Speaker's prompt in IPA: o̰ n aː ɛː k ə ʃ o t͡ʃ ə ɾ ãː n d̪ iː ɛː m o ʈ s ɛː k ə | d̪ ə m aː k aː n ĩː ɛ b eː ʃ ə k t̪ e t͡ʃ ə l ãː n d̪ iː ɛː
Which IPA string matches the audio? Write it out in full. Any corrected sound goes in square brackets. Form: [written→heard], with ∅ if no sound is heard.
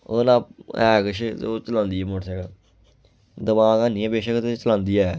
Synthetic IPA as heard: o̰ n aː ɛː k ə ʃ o t͡ʃ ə [ɾ→l] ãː n d̪ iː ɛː m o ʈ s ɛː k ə | d̪ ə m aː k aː n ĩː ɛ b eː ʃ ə k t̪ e t͡ʃ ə l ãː n d̪ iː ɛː